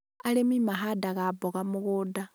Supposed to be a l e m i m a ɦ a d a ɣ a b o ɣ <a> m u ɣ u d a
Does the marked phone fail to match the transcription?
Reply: no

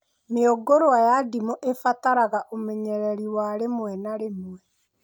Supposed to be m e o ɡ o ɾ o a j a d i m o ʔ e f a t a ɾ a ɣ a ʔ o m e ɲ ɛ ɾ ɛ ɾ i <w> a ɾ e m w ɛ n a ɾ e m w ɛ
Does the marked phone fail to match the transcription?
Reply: no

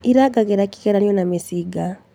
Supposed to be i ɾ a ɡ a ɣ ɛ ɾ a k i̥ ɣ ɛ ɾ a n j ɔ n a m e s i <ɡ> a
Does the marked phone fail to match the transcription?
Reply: no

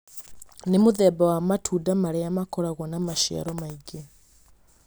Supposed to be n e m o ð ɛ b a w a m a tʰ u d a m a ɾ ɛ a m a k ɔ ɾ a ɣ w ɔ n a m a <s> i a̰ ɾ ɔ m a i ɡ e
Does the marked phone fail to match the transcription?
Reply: yes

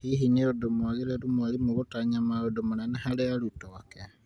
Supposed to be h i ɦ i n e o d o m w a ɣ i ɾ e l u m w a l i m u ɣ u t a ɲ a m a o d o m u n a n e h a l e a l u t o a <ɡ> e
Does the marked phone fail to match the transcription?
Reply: yes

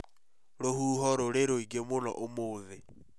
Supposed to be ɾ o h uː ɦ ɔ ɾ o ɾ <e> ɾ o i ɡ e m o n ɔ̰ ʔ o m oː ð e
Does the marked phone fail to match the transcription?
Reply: no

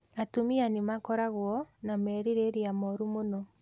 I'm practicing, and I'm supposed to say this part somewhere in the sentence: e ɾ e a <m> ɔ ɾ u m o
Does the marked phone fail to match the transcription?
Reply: no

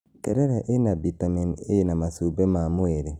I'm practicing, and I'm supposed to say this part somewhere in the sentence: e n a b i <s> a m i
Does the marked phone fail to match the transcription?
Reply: yes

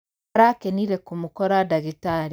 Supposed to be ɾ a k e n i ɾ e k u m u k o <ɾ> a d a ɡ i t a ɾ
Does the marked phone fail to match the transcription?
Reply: no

